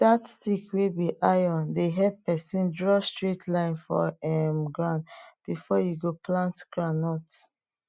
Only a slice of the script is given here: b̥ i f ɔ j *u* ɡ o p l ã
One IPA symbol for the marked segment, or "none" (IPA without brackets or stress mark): u